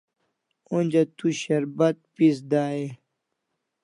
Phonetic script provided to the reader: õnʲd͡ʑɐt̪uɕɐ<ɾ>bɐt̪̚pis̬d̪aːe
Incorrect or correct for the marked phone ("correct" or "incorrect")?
correct